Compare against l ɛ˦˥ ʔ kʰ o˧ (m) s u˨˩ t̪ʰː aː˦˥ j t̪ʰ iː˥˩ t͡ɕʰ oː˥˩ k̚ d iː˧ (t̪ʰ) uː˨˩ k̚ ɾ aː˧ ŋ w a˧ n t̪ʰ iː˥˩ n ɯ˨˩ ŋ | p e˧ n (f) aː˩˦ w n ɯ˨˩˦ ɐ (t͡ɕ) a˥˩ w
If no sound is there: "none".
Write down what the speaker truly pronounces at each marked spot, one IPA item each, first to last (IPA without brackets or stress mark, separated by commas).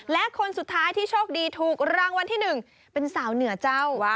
n, t̪ʰ, s, t͡ɕ